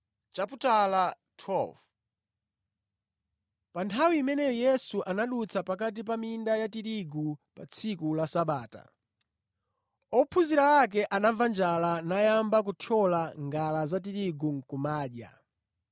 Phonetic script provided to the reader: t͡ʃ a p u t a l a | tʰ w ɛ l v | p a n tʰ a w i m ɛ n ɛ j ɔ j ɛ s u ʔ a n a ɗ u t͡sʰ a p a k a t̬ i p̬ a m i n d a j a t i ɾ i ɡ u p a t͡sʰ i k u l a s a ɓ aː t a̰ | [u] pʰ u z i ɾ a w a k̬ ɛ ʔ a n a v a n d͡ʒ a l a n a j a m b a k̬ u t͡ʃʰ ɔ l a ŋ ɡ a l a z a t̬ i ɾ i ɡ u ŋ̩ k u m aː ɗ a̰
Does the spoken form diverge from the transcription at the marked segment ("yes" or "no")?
yes